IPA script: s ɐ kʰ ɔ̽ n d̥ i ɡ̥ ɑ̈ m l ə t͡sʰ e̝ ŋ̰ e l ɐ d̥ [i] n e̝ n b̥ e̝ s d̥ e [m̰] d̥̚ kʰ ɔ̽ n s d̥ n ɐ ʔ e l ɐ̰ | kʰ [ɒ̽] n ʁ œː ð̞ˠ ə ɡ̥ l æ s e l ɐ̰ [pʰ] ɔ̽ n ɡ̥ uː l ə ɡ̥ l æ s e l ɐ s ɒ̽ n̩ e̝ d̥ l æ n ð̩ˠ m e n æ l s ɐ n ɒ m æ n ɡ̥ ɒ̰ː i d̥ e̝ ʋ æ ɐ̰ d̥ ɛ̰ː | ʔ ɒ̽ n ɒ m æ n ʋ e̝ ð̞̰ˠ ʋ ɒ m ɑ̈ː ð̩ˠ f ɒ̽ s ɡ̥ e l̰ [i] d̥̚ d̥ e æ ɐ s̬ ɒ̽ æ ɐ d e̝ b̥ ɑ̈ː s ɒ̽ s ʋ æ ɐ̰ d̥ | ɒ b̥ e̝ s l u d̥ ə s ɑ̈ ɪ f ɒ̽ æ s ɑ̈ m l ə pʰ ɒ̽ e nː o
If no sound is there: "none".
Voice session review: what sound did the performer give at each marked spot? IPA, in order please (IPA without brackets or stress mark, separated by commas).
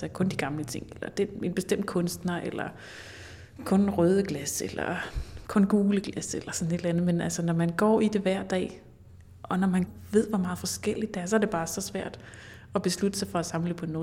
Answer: e, m̰, ɔ̽, kʰ, i